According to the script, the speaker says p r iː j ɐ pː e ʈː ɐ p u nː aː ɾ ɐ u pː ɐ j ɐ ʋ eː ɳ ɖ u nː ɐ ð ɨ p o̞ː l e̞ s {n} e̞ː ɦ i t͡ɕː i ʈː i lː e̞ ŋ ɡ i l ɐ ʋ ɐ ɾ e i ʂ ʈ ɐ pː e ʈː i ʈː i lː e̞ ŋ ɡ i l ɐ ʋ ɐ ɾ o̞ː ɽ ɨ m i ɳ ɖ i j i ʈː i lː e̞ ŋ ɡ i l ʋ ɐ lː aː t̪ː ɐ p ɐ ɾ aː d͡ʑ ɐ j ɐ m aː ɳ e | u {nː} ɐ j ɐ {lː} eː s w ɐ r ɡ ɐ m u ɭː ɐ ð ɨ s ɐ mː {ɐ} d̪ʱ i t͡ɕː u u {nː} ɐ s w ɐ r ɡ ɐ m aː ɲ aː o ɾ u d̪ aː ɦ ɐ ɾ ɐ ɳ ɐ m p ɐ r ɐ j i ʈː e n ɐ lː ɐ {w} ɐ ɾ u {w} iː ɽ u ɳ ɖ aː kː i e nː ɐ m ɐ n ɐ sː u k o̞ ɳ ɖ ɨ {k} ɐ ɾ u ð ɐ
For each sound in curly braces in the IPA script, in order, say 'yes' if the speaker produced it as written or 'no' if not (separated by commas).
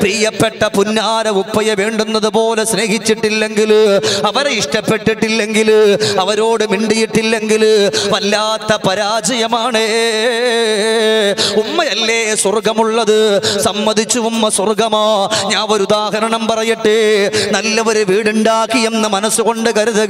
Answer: yes, no, yes, yes, no, no, no, yes